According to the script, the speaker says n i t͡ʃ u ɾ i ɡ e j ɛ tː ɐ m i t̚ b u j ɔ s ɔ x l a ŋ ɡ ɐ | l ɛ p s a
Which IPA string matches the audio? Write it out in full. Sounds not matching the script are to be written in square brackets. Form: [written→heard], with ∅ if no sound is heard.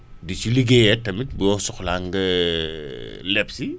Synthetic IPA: [n→d] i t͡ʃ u [ɾ→l] i ɡ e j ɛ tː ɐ m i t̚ b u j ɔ s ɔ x l a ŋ ɡ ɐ | l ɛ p s [a→i]